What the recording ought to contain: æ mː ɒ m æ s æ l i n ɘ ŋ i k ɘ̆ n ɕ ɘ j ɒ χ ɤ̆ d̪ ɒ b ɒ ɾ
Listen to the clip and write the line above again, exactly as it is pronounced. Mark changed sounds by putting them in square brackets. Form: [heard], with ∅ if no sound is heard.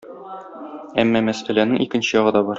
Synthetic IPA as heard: æ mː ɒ m æ s æ l [æ] n ɘ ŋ i k ɘ̆ n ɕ ɘ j ɒ [ʁ] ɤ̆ d̪ ɒ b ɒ ɾ